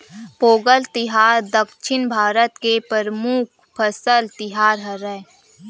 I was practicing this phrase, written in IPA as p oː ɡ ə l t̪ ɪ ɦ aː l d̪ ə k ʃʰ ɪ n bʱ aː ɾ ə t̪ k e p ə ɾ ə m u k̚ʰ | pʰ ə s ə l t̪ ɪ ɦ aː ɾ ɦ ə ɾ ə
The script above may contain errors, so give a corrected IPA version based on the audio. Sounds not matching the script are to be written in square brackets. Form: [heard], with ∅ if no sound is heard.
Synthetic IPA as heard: p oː ɡ ə l t̪ ɪ ɦ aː [ɾ] d̪ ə k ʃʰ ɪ n bʱ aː ɾ ə t̪ k e p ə ɾ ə m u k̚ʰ | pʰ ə s ə l t̪ ɪ ɦ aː ɾ ɦ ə ɾ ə